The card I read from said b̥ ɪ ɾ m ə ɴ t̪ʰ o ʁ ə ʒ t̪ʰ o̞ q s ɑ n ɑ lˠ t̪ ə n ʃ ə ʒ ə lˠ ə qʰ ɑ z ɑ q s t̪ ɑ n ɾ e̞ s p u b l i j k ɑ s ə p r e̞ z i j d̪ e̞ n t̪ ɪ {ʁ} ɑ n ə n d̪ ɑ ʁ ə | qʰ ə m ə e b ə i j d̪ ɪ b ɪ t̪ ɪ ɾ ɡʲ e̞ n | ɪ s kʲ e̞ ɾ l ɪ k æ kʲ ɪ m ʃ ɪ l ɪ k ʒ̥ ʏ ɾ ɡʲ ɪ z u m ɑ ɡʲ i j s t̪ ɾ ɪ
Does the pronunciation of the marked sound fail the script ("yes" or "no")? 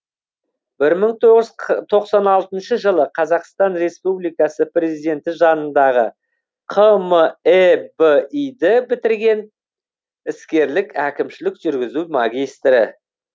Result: yes